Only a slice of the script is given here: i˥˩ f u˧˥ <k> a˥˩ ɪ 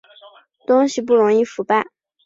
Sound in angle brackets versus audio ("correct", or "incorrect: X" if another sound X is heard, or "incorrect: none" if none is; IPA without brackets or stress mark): incorrect: p